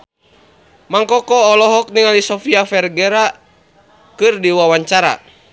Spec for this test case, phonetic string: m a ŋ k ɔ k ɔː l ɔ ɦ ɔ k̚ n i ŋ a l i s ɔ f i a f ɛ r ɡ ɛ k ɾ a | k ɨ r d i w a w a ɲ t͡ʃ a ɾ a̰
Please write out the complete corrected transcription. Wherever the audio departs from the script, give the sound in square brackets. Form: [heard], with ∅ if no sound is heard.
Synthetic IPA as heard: m a ŋ k ɔ k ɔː l ɔ ɦ ɔ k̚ n i ŋ a l i s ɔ f i a f ɛ r ɡ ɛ [∅] ɾ a | k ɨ r d i w a w a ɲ t͡ʃ a ɾ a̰